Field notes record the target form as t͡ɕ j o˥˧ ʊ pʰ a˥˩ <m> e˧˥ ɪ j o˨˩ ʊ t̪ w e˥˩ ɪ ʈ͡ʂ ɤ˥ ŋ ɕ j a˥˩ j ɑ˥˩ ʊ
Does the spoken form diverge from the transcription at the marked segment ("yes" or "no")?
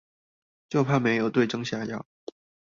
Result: no